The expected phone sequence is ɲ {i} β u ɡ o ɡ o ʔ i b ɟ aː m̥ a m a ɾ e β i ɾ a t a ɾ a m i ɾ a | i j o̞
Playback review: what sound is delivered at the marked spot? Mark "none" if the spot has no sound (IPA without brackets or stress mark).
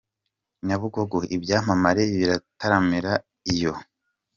a